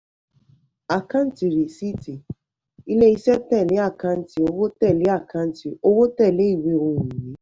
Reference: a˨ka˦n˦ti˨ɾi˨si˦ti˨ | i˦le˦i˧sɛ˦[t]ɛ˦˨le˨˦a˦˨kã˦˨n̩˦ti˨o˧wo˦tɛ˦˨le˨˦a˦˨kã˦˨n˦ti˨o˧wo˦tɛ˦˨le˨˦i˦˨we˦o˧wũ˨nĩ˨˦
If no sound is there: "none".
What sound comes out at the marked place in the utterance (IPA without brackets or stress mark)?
t